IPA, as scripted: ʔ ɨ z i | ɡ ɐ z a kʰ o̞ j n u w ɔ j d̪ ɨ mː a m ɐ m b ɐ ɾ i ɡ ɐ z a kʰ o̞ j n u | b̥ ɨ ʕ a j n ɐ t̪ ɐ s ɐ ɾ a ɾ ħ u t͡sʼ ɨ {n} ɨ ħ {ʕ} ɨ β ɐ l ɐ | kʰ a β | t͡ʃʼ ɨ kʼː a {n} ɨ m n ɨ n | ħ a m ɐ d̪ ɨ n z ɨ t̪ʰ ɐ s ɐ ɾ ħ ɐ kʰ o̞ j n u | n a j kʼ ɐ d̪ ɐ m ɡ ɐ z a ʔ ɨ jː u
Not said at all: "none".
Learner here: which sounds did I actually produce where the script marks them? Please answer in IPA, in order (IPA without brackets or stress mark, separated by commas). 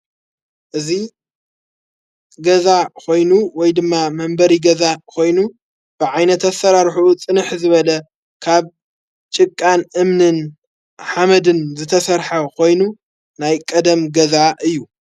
n, z, n